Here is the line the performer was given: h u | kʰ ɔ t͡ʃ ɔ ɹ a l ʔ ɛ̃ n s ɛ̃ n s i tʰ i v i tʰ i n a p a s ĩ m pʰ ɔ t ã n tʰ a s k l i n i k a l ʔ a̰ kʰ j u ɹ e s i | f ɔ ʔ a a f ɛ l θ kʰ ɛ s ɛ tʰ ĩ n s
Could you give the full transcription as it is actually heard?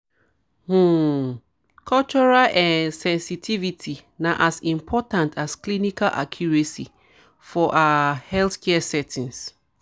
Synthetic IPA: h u | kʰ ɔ t͡ʃ ɔ ɹ a l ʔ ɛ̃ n s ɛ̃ n s i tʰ i v i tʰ i n a ʔ a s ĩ m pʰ ɔ t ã n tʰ a s k l i n i k a l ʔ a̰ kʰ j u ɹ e s i | f ɔ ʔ a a h ɛ l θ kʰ ɛ s ɛ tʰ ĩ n s